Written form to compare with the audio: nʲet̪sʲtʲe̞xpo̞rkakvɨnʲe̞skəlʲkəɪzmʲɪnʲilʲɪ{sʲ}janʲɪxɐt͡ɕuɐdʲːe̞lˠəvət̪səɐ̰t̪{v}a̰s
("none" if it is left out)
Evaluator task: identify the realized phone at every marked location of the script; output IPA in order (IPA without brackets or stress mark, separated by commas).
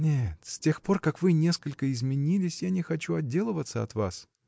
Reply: sʲ, v